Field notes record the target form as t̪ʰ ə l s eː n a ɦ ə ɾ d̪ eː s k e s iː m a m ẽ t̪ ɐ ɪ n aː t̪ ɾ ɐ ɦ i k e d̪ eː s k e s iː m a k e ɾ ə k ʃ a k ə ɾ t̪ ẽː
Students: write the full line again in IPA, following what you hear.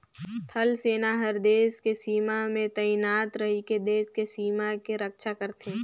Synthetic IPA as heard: t̪ʰ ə l s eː n a ɦ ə ɾ d̪ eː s k e s iː m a m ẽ t̪ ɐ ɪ n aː t̪ ɾ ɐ ɦ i k e d̪ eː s k e s iː m a k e ɾ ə k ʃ a k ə ɾ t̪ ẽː